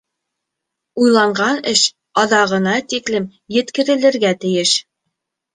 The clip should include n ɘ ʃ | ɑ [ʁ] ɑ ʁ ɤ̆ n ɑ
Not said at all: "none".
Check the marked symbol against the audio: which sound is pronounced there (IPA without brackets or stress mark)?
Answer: ð